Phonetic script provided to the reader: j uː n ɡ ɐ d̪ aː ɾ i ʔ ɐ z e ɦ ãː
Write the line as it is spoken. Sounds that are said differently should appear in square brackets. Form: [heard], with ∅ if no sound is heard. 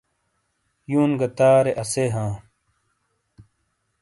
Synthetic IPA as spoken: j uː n ɡ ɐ [t̪] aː ɾ [e] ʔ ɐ [s] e ɦ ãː